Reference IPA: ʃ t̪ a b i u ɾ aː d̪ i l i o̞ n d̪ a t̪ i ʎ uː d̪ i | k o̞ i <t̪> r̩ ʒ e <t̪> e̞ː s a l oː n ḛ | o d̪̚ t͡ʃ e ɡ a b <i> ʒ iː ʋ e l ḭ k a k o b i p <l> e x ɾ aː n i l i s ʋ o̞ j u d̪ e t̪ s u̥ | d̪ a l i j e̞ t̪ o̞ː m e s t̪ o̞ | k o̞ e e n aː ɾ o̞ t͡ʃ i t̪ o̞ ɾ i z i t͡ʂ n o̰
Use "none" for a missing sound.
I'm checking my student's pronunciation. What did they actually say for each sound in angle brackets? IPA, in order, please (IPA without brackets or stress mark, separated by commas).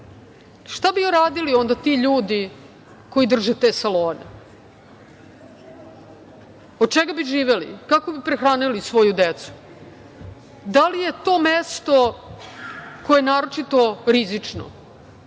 d̪, t̪, i, ɾ